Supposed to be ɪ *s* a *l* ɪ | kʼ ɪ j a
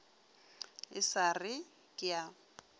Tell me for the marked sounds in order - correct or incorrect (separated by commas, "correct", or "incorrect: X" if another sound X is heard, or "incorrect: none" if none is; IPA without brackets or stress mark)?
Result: correct, incorrect: r